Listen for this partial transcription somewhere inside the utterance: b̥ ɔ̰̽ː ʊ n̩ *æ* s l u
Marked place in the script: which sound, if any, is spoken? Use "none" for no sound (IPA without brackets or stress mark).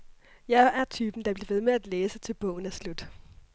æ